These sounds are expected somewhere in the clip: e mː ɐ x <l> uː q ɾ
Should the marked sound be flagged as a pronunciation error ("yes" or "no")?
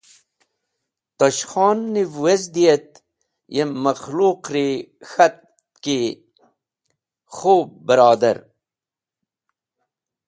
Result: no